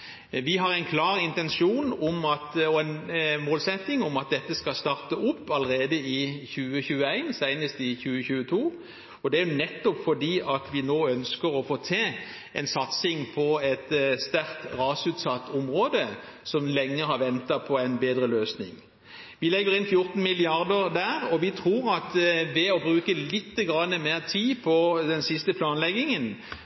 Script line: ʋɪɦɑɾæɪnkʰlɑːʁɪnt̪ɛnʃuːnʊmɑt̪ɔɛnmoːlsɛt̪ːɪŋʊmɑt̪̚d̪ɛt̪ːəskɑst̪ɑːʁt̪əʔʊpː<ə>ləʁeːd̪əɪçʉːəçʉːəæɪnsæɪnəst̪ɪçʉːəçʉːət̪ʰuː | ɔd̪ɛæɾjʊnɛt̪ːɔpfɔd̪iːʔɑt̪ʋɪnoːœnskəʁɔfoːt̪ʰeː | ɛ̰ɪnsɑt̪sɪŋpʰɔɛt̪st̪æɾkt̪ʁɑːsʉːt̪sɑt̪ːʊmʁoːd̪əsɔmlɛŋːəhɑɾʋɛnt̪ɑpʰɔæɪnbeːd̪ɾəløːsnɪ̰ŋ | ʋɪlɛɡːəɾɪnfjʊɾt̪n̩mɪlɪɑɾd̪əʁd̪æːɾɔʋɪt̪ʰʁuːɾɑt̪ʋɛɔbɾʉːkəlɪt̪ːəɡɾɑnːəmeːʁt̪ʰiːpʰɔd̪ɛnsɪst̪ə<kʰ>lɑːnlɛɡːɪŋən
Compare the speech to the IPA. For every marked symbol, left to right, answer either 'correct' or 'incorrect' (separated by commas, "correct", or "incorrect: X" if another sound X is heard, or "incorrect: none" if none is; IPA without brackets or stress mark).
incorrect: ɑ, incorrect: pʰ